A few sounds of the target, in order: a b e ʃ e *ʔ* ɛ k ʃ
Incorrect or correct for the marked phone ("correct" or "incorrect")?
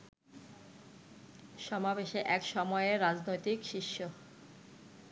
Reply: correct